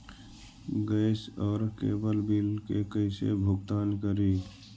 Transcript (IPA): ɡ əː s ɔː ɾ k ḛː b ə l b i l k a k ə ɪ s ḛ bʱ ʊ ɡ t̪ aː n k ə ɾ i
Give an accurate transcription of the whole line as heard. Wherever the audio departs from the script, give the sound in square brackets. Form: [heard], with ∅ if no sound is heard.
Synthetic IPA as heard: ɡ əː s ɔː ɾ k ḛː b ə l b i l k [e] k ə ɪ s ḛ bʱ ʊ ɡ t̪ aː n k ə ɾ i

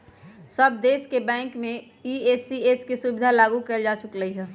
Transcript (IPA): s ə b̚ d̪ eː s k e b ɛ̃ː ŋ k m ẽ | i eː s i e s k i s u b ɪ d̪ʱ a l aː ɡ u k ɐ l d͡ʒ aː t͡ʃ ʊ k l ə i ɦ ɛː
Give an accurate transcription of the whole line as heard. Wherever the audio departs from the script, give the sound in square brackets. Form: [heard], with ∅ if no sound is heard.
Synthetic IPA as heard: s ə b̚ d̪ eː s k e b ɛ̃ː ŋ k m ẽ | i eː s i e s k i s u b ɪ d̪ʱ a l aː ɡ u k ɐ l d͡ʒ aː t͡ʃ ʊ k l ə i ɦ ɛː

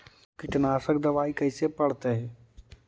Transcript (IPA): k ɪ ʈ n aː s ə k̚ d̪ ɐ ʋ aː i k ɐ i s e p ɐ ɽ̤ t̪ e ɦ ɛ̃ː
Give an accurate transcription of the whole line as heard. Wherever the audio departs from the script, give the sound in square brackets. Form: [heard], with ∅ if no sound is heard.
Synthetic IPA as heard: k ɪ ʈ n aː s ə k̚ d̪ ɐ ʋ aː i k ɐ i s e p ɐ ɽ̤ t̪ e ɦ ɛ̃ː

